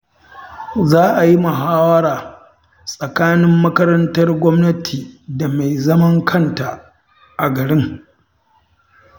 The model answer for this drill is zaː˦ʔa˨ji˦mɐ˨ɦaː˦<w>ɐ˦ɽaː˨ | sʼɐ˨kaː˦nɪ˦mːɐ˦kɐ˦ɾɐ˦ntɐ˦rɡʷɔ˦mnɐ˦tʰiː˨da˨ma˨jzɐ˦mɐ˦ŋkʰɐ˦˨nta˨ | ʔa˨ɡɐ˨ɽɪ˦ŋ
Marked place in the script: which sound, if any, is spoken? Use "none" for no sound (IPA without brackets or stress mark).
w